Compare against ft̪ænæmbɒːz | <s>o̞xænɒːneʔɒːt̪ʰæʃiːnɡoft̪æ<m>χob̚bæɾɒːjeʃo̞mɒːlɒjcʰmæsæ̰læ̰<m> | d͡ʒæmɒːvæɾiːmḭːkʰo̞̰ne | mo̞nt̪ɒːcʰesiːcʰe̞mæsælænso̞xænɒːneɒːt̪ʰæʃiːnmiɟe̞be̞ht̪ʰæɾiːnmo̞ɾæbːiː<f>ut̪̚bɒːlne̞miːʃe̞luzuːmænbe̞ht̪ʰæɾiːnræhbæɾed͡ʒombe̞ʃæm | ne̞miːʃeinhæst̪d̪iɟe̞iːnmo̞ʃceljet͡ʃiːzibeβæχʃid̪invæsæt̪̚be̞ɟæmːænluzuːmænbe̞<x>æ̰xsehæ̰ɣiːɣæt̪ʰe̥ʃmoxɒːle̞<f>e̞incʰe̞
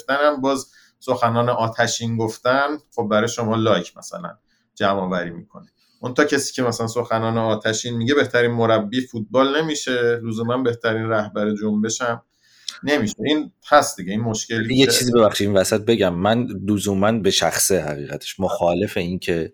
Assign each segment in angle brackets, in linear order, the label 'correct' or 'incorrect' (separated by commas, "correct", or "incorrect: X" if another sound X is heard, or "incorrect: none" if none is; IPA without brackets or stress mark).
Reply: correct, incorrect: n, incorrect: n, correct, incorrect: ʃ, correct